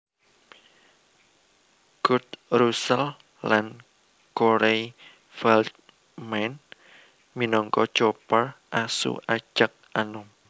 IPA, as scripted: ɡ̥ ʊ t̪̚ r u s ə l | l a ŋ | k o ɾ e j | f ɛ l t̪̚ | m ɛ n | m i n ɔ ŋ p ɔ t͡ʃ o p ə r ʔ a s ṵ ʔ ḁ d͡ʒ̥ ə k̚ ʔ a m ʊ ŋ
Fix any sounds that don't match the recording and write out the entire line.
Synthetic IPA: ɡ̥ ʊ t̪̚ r u s ə l | l a n | k o ɾ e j | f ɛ l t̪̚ | m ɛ n | m i n ɔ ŋ k ɔ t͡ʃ o p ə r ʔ a s ṵ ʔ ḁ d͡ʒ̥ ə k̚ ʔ a n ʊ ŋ